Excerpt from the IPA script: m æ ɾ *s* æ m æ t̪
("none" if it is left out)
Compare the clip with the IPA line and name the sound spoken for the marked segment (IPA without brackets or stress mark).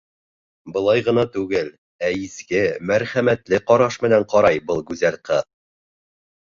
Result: χ